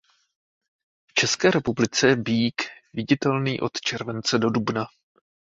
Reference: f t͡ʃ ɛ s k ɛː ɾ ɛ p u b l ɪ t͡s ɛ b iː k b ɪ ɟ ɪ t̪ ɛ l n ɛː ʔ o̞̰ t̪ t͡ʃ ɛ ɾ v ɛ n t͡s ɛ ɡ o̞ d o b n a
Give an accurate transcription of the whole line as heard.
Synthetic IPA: f t͡ʃ ɛ s k ɛː ɾ ɛ p u b l ɪ t͡s ɛ b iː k v ɪ ɟ ɪ t̪ ɛ l n iː ʔ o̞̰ t̪ t͡ʃ ɛ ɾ v ɛ n t͡s ɛ d o̞ d u b n a